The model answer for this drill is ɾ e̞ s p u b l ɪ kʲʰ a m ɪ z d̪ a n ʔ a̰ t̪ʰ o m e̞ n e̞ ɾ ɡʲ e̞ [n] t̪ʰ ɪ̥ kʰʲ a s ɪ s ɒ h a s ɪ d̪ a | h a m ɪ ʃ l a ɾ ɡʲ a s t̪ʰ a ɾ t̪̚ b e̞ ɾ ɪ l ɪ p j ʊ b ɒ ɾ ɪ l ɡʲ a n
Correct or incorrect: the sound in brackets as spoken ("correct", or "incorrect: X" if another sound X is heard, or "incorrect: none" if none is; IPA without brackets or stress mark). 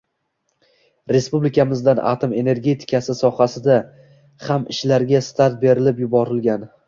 incorrect: none